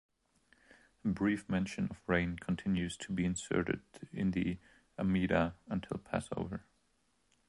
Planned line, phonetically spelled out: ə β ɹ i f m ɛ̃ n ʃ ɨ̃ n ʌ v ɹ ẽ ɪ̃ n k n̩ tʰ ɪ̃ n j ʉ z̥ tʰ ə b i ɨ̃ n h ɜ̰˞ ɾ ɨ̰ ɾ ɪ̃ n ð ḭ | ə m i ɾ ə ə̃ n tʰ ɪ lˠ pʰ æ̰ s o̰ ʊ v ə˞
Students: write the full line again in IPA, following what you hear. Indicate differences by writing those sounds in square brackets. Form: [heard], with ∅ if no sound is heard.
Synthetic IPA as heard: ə [b] ɹ i f m ɛ̃ n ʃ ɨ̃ n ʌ v ɹ ẽ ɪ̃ n [kʰ] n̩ tʰ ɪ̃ n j ʉ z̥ tʰ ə b i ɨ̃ n [s] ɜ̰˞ ɾ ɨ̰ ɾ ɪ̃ n ð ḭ | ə m i ɾ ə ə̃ n tʰ ɪ lˠ pʰ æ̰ s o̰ ʊ v ə˞